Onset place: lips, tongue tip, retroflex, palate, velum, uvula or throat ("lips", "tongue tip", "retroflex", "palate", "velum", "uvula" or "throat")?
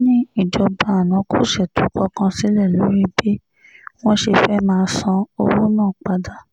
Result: tongue tip